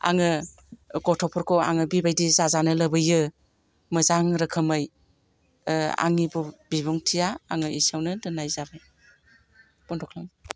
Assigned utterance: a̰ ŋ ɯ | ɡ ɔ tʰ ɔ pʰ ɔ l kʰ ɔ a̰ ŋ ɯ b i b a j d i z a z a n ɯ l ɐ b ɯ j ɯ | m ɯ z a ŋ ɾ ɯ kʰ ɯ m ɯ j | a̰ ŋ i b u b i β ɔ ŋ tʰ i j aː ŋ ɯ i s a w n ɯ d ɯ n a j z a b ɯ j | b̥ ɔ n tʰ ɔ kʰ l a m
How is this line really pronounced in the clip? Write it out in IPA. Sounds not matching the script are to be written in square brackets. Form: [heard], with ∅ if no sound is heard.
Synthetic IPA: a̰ ŋ ɯ | ɡ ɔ tʰ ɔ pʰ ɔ [ɾ] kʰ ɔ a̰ ŋ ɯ b i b a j d i z a z a n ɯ l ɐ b ɯ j ɯ | m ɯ z a ŋ ɾ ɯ kʰ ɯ m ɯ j | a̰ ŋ i b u b i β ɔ ŋ tʰ i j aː ŋ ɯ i s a w n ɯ d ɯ n a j z a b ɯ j | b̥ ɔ n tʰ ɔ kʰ l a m